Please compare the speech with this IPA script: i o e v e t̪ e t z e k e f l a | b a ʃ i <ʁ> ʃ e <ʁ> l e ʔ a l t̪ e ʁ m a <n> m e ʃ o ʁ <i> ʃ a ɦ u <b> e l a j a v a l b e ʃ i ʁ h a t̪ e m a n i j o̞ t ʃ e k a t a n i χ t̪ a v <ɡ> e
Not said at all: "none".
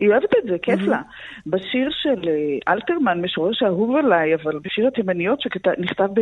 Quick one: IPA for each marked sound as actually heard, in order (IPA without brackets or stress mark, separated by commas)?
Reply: ʁ, none, n, e, v, b